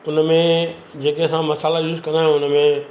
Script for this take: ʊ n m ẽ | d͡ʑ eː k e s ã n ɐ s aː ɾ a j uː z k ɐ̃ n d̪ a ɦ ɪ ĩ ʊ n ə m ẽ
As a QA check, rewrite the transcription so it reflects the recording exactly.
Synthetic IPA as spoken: ʊ n m ẽ | d͡ʑ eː k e s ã m ɐ s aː l a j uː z k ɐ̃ n d̪ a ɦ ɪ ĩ ʊ n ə m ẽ

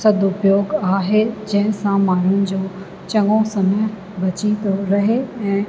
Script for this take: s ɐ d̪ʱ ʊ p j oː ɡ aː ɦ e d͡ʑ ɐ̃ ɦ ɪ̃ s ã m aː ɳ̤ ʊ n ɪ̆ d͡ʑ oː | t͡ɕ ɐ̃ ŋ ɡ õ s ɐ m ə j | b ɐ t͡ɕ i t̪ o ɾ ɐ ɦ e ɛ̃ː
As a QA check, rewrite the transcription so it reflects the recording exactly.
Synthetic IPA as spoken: s ɐ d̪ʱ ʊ p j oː ɡ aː ɦ e d͡ʑ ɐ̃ ɦ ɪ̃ s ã m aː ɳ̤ ʊ n ɪ̆ d͡ʑ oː | t͡ɕ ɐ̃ ŋ ɡ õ s ɐ m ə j | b ɐ t͡ɕ i t̪ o ɾ ɐ ɦ e ɛ̃ː

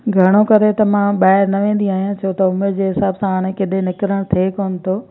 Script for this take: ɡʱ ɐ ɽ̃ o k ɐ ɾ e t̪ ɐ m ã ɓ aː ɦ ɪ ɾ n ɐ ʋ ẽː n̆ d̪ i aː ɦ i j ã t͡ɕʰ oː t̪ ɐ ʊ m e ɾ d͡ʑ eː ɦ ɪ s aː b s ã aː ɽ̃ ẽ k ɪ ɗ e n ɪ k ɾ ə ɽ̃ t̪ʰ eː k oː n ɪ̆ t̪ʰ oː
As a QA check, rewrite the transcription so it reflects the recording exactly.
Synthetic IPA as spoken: ɡʱ ɐ ɽ̃ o k ɐ ɾ e t̪ ɐ m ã ɓ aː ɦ ɪ ɾ n ɐ ʋ ẽː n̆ d̪ i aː ɦ i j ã t͡ɕʰ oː t̪ ɐ ʊ m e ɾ d͡ʑ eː ɦ ɪ s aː b s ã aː ɽ̃ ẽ k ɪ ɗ e n ɪ k ɾ ə ɽ̃ t̪ʰ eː k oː n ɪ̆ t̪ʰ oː

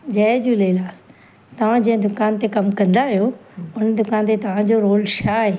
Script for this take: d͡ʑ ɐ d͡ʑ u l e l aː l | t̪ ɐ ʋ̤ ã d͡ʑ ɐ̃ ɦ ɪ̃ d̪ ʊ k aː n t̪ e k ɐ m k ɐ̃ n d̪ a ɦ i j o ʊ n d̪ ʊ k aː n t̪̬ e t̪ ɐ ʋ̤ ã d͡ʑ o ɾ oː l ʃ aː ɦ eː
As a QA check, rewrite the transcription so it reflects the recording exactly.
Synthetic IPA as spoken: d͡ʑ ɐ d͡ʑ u l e l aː l | t̪ ɐ ʋ̤ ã d͡ʑ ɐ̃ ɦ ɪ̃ d̪ ʊ k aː n t̪ e k ɐ m k ɐ̃ n d̪ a ɦ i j o ʊ n d̪ ʊ k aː n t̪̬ e t̪ ɐ ʋ̤ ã d͡ʑ o ɾ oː l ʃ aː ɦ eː

